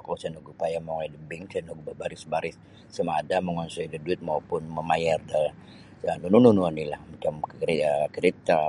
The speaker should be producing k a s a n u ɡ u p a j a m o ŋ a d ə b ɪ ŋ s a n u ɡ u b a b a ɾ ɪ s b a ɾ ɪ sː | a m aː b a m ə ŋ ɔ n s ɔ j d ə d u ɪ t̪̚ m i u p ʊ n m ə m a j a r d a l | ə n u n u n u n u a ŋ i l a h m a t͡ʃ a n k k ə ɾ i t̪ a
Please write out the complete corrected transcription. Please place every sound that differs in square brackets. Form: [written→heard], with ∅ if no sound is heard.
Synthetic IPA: k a s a n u ɡ u p a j a m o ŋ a d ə b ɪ ŋ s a n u ɡ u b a b a ɾ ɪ s b a ɾ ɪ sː | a m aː [b→d] a m ə ŋ ɔ n s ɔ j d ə d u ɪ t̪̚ m [i→a] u p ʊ n m ə m a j a r d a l | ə n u n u n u n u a [ŋ→n] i l a h m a t͡ʃ a [n→m] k k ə ɾ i t̪ a